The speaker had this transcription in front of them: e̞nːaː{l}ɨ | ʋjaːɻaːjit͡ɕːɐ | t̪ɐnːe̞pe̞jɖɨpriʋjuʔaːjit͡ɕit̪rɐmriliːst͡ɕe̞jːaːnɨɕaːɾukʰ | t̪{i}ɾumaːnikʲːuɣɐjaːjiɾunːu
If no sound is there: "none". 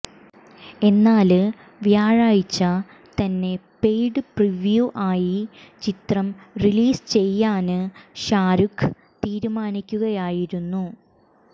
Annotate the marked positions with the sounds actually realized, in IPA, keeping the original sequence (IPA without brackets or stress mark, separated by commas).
l, iː